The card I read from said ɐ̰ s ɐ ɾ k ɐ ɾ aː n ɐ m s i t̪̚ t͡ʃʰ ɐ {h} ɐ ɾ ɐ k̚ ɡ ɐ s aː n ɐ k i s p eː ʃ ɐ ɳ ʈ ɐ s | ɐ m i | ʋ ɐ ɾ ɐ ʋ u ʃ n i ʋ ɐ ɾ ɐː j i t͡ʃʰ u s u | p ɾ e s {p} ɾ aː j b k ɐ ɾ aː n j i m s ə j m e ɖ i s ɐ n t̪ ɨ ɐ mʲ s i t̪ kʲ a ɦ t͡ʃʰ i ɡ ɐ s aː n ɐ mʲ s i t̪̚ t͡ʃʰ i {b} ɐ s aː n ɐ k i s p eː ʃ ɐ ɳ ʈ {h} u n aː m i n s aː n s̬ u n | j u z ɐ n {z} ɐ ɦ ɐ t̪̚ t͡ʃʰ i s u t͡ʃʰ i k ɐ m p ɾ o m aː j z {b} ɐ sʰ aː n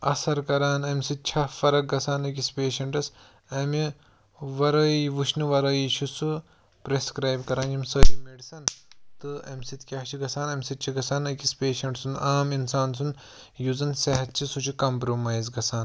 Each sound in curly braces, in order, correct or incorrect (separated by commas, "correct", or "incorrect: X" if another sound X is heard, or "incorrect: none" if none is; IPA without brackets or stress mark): incorrect: f, incorrect: k, incorrect: ɡ, incorrect: s, incorrect: s, incorrect: ɡ